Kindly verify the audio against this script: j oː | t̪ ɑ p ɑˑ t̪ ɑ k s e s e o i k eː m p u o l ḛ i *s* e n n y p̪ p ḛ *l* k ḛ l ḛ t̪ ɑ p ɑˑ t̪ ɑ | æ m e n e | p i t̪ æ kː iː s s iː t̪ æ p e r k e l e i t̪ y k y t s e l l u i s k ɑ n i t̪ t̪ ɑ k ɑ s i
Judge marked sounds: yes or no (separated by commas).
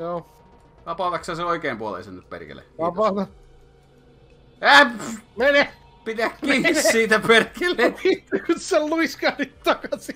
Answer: yes, no